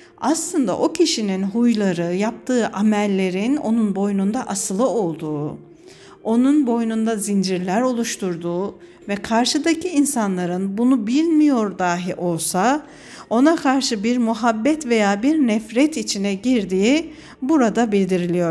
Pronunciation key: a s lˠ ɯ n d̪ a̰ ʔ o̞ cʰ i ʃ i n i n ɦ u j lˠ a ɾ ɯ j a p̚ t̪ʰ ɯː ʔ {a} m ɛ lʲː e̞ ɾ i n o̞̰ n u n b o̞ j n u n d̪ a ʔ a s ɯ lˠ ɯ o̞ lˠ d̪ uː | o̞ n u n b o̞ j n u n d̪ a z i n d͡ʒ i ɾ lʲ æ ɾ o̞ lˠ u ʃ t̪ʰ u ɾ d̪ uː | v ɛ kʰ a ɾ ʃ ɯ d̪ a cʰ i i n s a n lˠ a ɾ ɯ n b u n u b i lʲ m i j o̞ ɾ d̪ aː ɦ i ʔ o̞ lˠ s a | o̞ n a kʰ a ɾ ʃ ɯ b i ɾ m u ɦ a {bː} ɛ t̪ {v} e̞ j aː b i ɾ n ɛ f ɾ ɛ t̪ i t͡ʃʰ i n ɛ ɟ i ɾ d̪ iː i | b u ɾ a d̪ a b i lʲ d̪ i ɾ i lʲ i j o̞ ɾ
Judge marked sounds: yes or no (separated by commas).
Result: yes, yes, yes